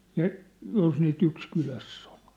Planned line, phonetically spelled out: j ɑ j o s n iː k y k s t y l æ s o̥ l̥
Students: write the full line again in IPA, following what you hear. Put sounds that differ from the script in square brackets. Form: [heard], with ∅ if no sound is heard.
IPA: j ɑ j o s n iː [t] y k s [k] y l æ [sː] o̥ l̥